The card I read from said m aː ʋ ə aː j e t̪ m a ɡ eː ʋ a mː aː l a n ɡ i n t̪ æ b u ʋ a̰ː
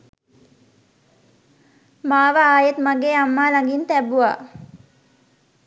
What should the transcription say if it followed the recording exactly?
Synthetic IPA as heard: m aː ʋ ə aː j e t̪ m a ɡ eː a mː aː l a ŋ ɡ i n t̪ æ b u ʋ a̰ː